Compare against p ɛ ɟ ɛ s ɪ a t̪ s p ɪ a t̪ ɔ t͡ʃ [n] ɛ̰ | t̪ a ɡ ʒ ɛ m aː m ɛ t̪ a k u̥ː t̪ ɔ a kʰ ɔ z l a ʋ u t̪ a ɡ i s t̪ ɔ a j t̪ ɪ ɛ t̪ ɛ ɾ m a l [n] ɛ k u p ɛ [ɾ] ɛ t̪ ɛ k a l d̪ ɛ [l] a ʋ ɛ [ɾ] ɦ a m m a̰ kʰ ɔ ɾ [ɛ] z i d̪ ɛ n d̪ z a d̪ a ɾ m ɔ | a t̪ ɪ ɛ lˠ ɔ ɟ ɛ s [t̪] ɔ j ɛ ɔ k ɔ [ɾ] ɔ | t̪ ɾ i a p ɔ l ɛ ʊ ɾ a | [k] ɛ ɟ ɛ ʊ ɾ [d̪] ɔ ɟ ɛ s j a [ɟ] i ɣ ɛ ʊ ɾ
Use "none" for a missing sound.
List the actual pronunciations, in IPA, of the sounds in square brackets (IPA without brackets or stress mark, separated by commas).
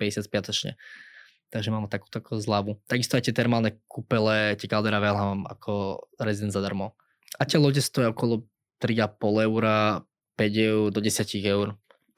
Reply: ɲ, n, l, ɾ, l, ɛ, t̪, l, p, d̪, c